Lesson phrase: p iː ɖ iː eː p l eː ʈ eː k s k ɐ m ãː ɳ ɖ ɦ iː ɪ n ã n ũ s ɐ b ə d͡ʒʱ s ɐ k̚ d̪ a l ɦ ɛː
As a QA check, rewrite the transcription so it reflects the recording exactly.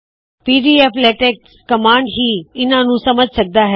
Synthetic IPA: p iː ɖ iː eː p l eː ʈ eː k s k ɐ m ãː ɳ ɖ ɦ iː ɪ n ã n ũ s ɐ m ə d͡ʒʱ s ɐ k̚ d̪ a ɦ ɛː